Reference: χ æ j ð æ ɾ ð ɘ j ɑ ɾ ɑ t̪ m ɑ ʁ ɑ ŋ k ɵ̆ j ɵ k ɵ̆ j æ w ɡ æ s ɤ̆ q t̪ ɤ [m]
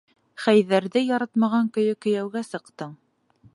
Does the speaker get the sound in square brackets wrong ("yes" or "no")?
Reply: yes